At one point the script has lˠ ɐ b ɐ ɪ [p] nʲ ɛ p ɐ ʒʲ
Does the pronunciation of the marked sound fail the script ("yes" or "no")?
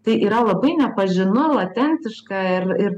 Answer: yes